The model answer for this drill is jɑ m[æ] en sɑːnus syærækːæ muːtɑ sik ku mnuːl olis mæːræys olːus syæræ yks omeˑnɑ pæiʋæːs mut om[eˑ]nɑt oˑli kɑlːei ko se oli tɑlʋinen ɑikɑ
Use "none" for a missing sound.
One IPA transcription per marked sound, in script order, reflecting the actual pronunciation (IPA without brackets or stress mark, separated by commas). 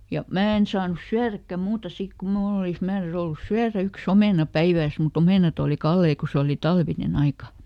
æː, eˑ